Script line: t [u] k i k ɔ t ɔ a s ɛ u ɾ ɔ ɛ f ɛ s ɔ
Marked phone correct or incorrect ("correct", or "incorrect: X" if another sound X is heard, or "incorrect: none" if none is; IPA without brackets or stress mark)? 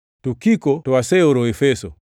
correct